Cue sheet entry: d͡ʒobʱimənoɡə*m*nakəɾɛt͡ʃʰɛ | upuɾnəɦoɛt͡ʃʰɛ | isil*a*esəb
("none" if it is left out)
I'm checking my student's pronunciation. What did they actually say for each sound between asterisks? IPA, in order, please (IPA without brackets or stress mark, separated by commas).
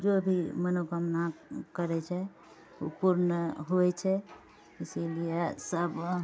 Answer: m, i